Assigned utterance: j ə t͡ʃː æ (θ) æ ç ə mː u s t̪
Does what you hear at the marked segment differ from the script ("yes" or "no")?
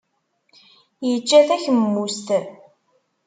no